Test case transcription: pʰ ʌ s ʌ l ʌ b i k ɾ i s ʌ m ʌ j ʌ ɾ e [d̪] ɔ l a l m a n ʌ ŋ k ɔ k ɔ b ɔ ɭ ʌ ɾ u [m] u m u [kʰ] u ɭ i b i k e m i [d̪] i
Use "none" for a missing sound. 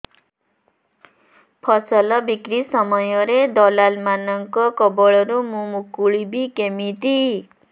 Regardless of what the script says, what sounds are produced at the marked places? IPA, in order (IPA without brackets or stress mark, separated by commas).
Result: d̪, m, k, t̪